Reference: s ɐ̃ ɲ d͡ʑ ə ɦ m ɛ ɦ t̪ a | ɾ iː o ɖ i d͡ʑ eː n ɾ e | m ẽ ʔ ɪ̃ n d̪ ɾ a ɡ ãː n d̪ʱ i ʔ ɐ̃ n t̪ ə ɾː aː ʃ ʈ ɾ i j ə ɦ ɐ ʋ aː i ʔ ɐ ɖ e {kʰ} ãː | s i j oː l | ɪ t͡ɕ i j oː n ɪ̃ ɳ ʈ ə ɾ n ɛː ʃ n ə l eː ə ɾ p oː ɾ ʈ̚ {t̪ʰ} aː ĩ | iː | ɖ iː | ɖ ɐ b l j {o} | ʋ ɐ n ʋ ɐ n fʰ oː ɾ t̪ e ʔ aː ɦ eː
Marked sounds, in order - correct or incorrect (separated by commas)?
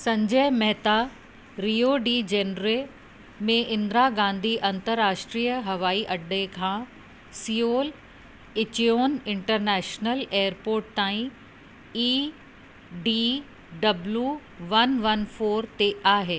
correct, incorrect, incorrect